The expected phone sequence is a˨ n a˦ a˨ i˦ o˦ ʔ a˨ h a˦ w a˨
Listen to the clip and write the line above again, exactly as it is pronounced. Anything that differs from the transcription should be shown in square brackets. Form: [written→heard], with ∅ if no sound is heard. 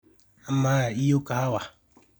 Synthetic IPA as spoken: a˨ [n→m] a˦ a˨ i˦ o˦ [ʔ→k] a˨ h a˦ w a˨